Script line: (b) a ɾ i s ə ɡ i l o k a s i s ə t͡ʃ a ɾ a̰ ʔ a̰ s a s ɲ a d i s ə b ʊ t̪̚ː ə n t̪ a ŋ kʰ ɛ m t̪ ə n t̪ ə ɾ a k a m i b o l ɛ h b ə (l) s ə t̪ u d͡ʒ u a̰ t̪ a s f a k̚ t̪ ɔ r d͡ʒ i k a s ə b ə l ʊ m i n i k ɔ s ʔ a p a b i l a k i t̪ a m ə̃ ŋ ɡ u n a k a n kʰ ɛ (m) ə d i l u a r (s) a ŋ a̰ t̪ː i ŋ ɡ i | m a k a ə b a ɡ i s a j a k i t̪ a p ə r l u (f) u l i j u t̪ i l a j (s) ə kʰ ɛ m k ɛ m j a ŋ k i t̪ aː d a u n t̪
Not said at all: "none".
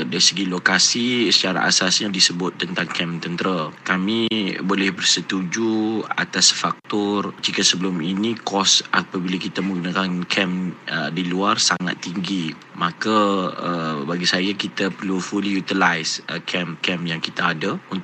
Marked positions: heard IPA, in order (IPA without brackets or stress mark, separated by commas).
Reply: d, r, m, s, f, s